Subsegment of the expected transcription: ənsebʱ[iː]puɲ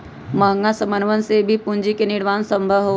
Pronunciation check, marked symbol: incorrect: i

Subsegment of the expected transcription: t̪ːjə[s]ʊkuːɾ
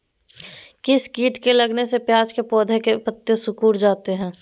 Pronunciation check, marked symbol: correct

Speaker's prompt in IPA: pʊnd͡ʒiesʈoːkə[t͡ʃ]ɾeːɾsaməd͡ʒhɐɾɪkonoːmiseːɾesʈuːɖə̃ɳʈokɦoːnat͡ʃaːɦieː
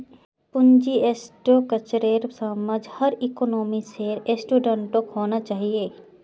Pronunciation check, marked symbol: correct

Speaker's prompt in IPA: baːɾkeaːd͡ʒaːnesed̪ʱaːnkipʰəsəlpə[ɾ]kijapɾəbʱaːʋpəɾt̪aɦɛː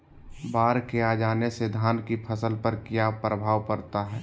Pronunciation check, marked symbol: correct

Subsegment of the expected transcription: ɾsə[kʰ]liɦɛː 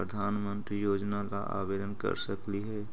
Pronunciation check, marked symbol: incorrect: k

